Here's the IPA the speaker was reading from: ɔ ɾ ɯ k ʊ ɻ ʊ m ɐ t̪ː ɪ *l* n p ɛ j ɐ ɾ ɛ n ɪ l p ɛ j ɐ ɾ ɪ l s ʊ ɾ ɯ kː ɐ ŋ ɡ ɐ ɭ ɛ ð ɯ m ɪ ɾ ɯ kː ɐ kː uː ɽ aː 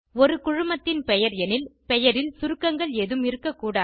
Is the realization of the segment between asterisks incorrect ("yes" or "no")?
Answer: yes